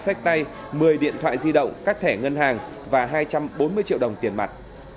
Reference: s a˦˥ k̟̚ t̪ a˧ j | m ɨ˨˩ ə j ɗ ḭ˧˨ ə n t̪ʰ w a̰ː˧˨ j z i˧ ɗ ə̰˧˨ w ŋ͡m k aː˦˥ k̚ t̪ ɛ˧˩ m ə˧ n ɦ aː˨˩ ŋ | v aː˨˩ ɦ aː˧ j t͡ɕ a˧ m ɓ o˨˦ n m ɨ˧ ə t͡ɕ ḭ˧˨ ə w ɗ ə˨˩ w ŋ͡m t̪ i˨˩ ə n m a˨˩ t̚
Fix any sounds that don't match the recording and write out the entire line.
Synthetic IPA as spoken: s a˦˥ k̟̚ t̪ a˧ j | m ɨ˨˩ ə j ɗ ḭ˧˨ ə n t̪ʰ w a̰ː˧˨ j z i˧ ɗ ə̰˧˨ w ŋ͡m k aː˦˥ k̚ t̪ʰ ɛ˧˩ ŋ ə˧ n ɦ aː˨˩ ŋ | v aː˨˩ ɦ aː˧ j t͡ɕ a˧ m ɓ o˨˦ n m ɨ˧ ə t͡ɕ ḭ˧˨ ə w ɗ ə˨˩ w ŋ͡m t̪ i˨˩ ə n m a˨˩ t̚